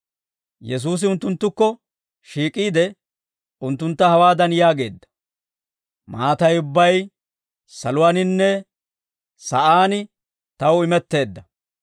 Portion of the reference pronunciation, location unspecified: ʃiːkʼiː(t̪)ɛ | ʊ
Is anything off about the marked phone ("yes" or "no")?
yes